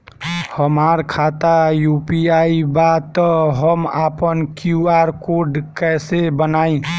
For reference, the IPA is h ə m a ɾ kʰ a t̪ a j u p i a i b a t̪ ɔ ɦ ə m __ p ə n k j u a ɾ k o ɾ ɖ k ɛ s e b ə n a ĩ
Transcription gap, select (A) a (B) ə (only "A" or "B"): A